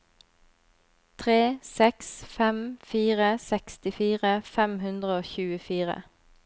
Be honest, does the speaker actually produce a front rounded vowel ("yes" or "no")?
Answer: no